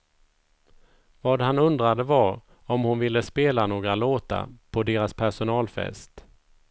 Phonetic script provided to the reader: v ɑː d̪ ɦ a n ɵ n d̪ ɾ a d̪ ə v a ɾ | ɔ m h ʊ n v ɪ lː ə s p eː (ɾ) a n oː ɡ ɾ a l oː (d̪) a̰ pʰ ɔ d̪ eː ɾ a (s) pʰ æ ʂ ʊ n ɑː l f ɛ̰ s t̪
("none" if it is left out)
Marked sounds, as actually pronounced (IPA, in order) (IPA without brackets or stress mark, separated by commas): l, t̪, s